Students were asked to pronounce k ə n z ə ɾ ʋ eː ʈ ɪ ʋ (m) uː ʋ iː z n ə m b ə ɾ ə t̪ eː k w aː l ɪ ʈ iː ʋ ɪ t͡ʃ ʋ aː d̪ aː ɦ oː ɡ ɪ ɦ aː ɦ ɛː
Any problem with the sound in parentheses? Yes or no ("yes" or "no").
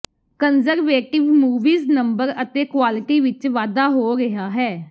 no